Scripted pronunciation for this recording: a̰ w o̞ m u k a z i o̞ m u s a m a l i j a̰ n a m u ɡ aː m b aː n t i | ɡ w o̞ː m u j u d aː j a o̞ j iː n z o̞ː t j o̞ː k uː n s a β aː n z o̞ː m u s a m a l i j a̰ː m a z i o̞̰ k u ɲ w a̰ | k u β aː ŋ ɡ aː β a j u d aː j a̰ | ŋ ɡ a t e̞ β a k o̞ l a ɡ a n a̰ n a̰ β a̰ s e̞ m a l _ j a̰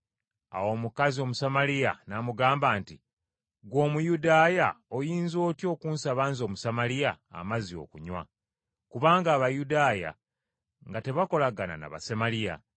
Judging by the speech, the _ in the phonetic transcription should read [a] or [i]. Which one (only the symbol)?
i